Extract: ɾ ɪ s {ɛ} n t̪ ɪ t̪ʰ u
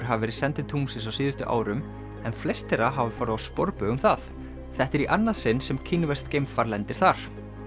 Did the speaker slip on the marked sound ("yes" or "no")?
no